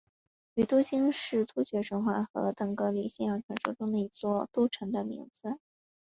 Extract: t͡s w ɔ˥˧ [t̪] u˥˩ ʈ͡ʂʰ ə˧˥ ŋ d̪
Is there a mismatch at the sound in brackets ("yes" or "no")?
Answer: no